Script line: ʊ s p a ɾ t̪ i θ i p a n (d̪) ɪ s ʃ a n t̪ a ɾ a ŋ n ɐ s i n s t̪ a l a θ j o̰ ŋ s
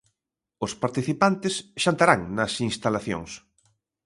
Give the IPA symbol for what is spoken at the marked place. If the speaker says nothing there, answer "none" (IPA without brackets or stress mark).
t̪